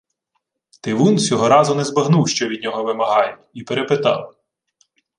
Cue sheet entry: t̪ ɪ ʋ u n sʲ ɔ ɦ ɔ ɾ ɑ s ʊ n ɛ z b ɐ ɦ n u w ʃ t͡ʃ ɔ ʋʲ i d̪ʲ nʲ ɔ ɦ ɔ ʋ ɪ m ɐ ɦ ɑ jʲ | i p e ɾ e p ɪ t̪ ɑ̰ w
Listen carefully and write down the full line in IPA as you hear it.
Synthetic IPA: t̪ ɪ ʋ u n sʲ ɔ ɦ ɔ ɾ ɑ z ʊ n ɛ z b ɐ ɦ n u w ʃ t͡ʃ ɔ ʋʲ i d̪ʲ nʲ ɔ ɦ ɔ ʋ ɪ m ɐ ɦ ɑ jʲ | i p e ɾ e p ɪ t̪ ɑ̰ w